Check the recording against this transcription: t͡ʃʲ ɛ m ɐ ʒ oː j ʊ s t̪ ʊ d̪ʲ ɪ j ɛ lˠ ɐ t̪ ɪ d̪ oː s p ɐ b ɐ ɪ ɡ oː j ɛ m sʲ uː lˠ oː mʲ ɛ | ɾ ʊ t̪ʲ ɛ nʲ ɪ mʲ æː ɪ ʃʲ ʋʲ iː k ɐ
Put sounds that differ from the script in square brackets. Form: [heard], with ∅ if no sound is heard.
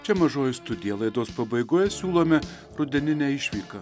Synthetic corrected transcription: t͡ʃʲ ɛ m ɐ ʒ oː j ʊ s t̪ ʊ d̪ʲ ɪ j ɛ lˠ ɐ [∅] ɪ d̪ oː s p ɐ b ɐ ɪ ɡ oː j ɛ [∅] sʲ uː lˠ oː mʲ ɛ | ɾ ʊ [d̪ʲ] ɛ nʲ ɪ [nʲ] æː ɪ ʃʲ ʋʲ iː k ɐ